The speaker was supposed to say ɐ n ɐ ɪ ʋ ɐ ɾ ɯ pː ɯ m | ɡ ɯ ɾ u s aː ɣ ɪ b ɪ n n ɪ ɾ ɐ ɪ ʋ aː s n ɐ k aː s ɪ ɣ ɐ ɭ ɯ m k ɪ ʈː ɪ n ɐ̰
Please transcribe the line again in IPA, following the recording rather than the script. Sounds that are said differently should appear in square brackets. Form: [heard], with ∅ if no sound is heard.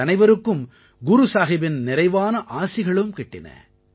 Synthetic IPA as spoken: ɐ n ɐ ɪ ʋ ɐ ɾ ɯ [kː] ɯ m | ɡ [ʊ] ɾ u s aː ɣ ɪ b ɪ n n ɪ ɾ ɐ ɪ ʋ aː [∅] n ɐ [ʔ] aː s ɪ ɣ ɐ ɭ ɯ m k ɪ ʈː ɪ n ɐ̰